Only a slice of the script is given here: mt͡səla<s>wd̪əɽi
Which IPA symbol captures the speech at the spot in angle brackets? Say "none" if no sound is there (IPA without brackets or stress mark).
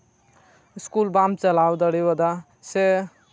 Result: none